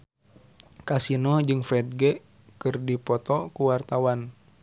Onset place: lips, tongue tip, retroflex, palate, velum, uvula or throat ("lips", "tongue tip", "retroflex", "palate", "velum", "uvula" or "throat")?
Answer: velum